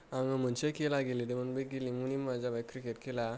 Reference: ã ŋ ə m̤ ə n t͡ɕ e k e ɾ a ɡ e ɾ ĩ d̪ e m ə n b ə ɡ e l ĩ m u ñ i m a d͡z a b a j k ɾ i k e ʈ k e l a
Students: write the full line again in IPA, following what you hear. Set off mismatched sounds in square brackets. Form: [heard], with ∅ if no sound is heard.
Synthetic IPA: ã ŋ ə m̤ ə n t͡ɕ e k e [l] a ɡ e [l] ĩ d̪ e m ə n b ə ɡ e l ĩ m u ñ i m a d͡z a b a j k ɾ i k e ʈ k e l a

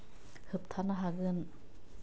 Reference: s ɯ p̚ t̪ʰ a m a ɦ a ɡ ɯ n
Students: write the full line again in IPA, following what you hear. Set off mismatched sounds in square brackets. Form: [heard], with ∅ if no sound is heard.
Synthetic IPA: [h] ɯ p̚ t̪ʰ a [n] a ɦ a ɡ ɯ n

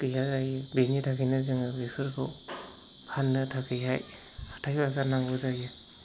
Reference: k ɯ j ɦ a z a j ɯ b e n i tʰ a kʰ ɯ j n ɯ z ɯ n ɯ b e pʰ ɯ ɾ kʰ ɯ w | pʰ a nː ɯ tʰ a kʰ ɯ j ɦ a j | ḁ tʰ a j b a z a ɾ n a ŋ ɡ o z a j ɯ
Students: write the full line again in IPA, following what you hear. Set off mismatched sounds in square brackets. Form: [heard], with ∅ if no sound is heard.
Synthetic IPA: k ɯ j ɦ a z a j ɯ b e n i tʰ a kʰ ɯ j n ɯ z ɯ [ŋ] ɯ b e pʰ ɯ ɾ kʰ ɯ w | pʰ a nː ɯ tʰ a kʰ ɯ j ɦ a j | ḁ tʰ a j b a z a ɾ n a ŋ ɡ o z a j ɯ

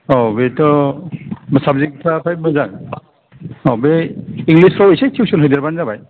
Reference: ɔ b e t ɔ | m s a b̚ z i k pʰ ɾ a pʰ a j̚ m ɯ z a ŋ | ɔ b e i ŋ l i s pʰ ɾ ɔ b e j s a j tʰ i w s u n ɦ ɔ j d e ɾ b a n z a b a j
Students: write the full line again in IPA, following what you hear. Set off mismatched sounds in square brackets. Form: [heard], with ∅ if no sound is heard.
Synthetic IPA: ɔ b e t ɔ | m s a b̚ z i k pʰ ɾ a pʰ a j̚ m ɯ z a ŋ | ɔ b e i ŋ l i s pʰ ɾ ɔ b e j s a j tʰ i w s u n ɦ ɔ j d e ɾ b a n z a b a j

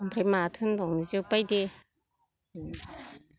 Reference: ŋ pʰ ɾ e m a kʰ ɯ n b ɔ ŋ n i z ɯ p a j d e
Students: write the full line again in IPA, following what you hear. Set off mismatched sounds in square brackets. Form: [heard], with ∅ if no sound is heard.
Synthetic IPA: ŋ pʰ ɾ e m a [tʰ] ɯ n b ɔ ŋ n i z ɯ p a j d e

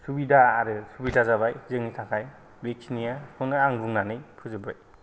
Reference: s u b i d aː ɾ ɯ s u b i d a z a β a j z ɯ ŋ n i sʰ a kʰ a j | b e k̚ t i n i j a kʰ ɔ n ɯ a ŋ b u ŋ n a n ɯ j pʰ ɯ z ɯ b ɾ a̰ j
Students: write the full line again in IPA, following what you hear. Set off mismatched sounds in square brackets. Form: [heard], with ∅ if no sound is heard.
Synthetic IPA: s u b i d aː ɾ ɯ s u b i d a z a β a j z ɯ ŋ n i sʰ a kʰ a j | b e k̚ [s] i n i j a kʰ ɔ n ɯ a ŋ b u ŋ n a n ɯ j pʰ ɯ z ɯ b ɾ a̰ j

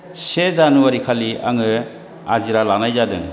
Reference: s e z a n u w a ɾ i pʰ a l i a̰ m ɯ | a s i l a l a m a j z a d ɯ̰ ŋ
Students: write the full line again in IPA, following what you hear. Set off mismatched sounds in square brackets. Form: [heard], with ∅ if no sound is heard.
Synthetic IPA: s e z a n u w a ɾ i [kʰ] a l i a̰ [ŋ] ɯ | a [z] i [ɾ] a l a [n] a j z a d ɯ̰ ŋ

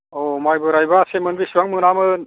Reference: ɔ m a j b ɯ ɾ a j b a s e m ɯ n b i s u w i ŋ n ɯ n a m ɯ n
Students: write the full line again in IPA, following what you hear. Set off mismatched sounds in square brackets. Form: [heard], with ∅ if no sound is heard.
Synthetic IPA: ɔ m a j b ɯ ɾ a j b a s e m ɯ n b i s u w [a] ŋ [m] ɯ n a m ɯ n

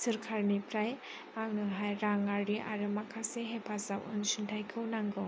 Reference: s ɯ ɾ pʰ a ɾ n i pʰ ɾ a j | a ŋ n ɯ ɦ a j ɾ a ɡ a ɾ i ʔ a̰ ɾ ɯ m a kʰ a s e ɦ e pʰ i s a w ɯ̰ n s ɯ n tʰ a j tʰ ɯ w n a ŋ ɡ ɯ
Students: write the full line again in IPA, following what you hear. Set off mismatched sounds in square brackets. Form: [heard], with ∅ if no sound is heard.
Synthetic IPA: s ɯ ɾ [kʰ] a ɾ n i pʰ ɾ a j | a ŋ n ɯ ɦ a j ɾ a [ŋ] a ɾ i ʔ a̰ ɾ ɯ m a kʰ a s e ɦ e pʰ [a] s a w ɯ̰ n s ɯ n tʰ a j [kʰ] ɯ w n a ŋ ɡ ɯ

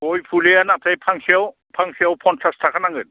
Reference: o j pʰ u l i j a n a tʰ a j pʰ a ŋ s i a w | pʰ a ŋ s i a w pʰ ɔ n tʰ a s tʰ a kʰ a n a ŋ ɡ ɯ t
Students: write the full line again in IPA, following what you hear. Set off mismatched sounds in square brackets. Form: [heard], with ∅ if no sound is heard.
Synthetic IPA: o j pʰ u l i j a n a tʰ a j pʰ a ŋ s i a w | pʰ a ŋ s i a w pʰ ɔ n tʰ a s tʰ a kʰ a n a ŋ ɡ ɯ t

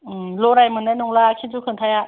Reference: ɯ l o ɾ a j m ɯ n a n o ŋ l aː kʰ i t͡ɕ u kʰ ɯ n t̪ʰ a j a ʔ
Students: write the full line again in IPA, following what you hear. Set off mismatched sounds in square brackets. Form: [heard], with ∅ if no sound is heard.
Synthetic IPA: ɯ l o ɾ a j m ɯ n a n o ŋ l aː kʰ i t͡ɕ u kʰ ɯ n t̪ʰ a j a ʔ

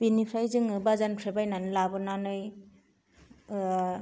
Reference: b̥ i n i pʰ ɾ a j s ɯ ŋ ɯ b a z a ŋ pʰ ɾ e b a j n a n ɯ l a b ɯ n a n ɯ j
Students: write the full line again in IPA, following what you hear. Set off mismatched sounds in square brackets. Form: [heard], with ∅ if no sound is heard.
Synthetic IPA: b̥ i n i pʰ ɾ a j [z] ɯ ŋ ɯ b a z a [n] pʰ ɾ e b a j n a n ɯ l a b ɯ n a n ɯ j

